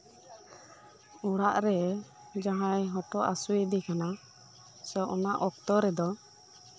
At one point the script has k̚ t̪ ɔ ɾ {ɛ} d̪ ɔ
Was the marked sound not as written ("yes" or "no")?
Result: no